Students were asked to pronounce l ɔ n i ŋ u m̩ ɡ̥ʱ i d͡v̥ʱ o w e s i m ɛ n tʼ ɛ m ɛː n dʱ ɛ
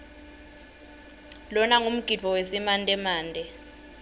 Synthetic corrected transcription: l ɔ n a ŋ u m̩ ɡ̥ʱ i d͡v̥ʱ ɔ w e s i m a n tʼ ɛ m aː n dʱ ɛ